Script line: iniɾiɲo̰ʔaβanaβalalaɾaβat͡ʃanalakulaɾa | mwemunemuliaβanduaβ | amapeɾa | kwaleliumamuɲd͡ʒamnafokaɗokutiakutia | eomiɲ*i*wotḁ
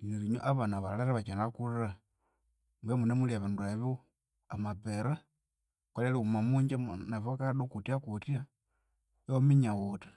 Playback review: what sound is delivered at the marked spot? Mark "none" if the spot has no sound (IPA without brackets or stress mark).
a